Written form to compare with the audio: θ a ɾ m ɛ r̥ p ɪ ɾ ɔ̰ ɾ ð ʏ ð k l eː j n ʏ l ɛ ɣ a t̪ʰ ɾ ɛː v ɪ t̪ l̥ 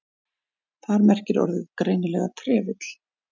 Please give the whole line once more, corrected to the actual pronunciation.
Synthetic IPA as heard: θ a ɾ m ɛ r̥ c ɪ ɾ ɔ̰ ɾ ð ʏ ð k ɾ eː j n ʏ l ɛ ɣ a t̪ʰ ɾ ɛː v ɪ t̪ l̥